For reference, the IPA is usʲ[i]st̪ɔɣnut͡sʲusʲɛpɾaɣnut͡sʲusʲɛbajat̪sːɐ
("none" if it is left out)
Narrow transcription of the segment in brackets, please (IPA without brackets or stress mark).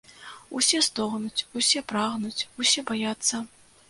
ɛ